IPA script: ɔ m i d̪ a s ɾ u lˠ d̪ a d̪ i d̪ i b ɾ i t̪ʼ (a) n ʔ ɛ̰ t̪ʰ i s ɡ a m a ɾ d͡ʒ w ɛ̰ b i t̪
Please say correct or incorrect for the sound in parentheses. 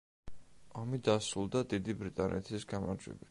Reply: correct